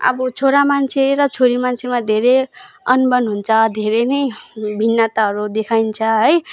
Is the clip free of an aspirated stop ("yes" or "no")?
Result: no